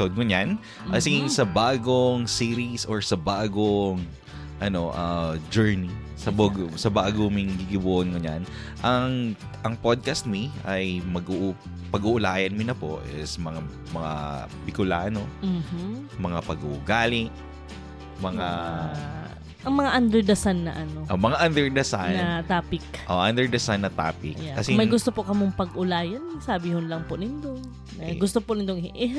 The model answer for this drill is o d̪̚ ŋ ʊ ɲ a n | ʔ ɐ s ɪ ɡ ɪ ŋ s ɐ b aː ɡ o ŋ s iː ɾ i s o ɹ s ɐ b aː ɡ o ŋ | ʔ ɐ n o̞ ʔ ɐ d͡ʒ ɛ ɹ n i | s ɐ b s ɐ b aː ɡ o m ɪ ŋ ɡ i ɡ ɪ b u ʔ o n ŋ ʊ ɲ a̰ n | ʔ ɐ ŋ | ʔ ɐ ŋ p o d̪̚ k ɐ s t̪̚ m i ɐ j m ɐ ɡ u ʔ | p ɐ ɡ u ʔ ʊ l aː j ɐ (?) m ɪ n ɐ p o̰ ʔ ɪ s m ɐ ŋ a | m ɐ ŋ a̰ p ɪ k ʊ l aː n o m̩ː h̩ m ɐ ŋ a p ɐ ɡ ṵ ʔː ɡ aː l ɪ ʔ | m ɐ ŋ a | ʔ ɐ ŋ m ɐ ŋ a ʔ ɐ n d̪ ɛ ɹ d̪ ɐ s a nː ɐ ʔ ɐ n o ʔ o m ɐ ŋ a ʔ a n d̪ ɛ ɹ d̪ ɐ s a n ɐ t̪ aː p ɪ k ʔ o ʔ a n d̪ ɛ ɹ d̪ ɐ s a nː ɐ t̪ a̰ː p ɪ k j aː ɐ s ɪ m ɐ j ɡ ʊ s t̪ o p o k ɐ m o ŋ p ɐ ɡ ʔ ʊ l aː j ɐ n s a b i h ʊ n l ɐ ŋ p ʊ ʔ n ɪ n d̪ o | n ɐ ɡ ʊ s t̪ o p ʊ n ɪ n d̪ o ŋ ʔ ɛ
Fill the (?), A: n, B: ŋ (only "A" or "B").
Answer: A